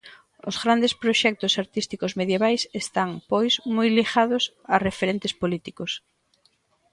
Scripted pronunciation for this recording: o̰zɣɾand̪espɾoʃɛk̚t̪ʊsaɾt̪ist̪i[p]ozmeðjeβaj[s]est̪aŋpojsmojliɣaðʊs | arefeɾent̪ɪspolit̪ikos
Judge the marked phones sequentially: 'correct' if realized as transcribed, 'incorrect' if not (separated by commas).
incorrect, correct